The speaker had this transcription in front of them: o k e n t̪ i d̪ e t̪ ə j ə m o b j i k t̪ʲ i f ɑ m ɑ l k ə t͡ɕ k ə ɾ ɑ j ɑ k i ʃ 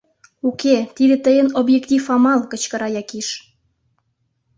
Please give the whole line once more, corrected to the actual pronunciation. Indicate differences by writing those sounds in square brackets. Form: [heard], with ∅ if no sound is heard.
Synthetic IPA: [u] k e [∅] t̪ i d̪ e t̪ ə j ə [n] o b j [e] k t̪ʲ i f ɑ m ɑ l k ə t͡ɕ k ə ɾ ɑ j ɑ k i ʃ